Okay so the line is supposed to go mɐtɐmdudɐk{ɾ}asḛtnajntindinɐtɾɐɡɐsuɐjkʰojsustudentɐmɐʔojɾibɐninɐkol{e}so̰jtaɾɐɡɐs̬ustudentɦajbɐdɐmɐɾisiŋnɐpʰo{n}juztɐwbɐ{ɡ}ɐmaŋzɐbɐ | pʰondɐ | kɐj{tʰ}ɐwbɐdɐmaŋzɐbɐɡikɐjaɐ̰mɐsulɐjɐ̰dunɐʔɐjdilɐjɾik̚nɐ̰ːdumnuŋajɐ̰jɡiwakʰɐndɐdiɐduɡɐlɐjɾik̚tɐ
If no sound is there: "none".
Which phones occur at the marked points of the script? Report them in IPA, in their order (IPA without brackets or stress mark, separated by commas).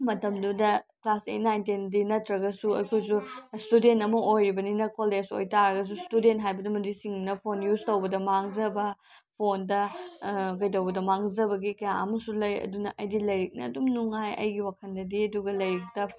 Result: l, e, n, d, t